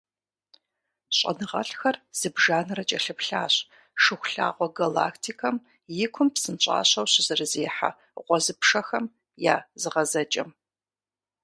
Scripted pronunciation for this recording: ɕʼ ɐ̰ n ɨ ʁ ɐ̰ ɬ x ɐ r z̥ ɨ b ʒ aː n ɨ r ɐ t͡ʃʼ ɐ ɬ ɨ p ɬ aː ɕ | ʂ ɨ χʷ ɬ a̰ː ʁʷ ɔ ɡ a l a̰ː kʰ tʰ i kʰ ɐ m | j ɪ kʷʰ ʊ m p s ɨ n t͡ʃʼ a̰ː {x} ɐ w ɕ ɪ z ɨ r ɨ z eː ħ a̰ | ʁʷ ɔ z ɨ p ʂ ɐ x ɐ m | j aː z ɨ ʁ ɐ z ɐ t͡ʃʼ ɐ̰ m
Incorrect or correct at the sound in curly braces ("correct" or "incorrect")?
incorrect